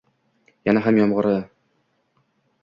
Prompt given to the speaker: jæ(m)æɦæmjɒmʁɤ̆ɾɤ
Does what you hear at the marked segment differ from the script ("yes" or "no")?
yes